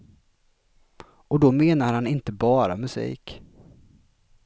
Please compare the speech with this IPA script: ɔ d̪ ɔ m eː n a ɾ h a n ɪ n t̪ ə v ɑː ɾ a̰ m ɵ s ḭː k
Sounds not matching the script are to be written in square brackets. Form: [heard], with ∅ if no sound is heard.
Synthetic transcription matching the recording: ɔ d̪ ɔ m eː n a ɾ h a n ɪ n t̪ ə [b] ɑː ɾ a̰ m ɵ s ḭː k